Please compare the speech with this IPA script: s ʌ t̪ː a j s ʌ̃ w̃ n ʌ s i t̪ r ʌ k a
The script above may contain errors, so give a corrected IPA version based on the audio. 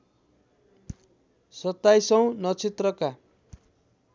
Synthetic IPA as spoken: s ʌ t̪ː a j s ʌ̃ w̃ n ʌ t͡s i t̪ r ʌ k a